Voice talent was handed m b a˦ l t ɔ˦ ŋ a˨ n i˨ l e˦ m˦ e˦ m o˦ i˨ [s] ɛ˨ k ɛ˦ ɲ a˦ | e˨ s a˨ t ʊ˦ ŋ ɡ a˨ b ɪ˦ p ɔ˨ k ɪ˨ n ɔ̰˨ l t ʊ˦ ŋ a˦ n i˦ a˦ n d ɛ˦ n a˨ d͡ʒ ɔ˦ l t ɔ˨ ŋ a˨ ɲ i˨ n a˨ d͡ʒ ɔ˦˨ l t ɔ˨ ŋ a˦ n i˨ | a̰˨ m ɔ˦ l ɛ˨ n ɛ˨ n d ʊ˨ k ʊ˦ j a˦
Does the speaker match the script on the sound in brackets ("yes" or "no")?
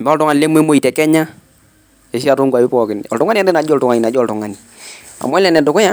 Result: no